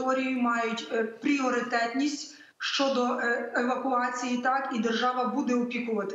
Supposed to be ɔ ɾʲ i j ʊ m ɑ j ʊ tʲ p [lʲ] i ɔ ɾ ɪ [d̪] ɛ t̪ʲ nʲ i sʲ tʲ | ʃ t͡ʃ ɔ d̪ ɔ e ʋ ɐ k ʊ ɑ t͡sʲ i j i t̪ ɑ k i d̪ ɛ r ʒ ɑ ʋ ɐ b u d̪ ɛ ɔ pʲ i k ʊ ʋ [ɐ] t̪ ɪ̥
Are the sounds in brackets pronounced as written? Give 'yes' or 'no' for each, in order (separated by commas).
no, no, yes